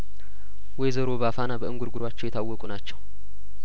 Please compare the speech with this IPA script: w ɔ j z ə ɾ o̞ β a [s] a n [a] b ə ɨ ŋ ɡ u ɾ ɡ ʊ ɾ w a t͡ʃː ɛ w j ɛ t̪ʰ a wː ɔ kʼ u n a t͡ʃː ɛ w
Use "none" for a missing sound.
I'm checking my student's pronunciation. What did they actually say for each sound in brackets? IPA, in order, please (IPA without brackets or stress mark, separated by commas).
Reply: f, a